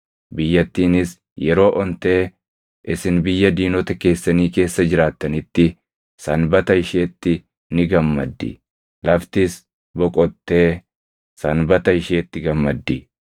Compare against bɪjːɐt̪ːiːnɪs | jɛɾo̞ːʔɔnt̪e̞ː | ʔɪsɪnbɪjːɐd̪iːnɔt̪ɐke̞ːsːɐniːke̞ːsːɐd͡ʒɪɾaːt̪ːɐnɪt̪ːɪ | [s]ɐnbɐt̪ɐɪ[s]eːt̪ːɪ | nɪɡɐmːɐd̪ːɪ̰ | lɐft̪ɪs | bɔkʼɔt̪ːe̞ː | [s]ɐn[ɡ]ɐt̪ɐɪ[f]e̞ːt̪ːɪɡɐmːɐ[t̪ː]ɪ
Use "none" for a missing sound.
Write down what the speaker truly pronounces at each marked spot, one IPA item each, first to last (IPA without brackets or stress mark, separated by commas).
s, ʃ, s, b, ʃ, d̪ː